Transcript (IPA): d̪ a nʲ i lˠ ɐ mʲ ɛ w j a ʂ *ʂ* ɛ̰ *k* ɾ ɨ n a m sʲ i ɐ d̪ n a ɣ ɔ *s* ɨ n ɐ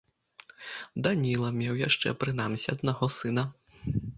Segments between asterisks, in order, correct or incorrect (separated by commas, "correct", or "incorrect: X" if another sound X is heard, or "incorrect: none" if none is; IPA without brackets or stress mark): incorrect: t͡ʂ, incorrect: p, correct